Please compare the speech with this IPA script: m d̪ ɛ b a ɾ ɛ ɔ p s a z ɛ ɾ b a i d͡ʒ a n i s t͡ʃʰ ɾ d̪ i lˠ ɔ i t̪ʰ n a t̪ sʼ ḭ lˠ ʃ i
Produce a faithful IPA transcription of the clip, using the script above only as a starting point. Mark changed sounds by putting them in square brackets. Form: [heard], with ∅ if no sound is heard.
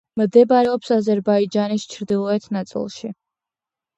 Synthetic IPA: m d̪ ɛ b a ɾ ɛ ɔ p s a z ɛ ɾ b a i d͡ʒ a n i s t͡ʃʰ ɾ d̪ i lˠ ɔ [ɛ] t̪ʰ n a t̪ sʼ ḭ lˠ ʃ i

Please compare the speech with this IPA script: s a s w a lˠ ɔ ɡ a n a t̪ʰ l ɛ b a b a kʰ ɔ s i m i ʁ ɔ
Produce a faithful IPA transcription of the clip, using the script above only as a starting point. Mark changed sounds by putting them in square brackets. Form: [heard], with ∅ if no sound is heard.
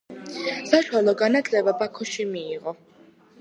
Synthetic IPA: s a [ʃ] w a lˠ ɔ ɡ a n a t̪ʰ l ɛ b a b a kʰ ɔ [ʃ] i m [iː] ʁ ɔ

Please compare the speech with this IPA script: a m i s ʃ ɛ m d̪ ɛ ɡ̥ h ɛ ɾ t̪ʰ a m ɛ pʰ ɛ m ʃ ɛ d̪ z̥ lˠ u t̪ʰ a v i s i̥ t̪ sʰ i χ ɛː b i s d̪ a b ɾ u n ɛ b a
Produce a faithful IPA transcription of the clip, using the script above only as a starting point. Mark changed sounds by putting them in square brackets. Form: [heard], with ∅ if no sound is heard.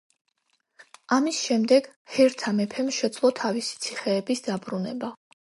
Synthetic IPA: a m i s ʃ ɛ m d̪ ɛ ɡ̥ h ɛ ɾ t̪ʰ a m ɛ pʰ ɛ m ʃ ɛ d̪ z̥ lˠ [ɔ] t̪ʰ a v i s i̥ t̪ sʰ i χ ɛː b i s d̪ a b ɾ u n ɛ b a

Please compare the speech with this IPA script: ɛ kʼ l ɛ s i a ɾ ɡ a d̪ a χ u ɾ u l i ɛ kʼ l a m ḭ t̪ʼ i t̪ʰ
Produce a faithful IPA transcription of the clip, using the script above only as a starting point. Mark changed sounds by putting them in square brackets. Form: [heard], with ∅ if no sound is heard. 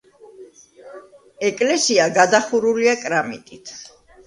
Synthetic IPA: ɛ kʼ l ɛ s i a [∅] ɡ a d̪ a χ u ɾ u l i [a] kʼ [ɾ] a m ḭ t̪ʼ i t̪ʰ

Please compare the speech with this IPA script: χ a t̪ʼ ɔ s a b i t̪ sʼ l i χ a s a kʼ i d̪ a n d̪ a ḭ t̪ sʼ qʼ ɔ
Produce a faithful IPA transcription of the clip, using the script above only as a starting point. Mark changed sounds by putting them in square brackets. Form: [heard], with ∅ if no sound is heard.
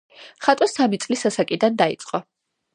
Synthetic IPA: χ a t̪ʼ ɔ s a [m] i t̪ sʼ l i [s] a s a kʼ i d̪ a n d̪ a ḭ t̪ sʼ qʼ ɔ

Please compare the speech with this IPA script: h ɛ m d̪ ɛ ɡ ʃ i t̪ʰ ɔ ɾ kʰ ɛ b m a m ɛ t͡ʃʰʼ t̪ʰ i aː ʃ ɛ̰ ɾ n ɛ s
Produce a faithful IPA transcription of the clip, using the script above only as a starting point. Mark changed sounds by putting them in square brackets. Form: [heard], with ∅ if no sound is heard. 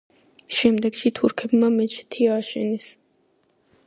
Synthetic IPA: [ʃ] ɛ m d̪ ɛ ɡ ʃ i t̪ʰ [u] ɾ kʰ ɛ b m a m ɛ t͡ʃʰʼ t̪ʰ i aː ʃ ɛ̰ [∅] n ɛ s

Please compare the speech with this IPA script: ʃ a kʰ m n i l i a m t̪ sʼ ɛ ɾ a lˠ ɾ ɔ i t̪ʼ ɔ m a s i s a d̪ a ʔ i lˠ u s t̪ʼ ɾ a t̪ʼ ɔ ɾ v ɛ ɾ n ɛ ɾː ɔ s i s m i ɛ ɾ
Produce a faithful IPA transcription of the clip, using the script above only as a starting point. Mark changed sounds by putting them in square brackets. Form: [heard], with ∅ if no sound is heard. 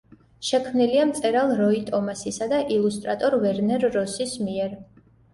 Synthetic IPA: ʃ [ɛ] kʰ m n i l i a m t̪ sʼ ɛ ɾ a lˠ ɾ ɔ i t̪ʼ ɔ m a s i s a d̪ a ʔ i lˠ u s t̪ʼ ɾ a t̪ʼ ɔ ɾ v ɛ ɾ n ɛ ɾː ɔ s i s m i ɛ ɾ

